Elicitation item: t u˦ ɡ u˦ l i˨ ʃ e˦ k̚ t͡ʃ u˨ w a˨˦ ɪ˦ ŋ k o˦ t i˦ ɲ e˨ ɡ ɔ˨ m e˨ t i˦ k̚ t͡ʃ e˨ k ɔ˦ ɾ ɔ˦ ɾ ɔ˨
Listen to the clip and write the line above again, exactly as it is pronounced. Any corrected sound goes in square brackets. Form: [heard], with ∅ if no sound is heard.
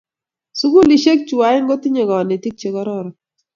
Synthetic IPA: [s] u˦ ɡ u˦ l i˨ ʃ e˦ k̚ t͡ʃ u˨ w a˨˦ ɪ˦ ŋ [ɡ] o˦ t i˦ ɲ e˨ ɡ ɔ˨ [n] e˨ t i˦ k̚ t͡ʃ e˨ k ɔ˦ ɾ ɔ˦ ɾ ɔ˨